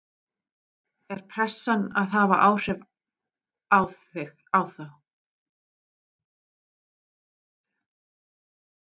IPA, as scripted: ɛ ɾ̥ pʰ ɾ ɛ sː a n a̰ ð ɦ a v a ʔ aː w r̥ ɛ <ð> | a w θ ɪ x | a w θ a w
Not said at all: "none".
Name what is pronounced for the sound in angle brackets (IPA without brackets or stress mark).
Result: v